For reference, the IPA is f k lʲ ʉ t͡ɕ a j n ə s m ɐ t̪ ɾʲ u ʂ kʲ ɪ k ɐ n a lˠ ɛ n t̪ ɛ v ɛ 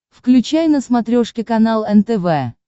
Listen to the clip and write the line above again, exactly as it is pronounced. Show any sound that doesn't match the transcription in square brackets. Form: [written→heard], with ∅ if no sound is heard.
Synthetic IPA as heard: f k lʲ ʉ t͡ɕ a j n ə s m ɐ t̪ ɾʲ [u→o] ʂ kʲ ɪ k ɐ n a lˠ ɛ n t̪ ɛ v ɛ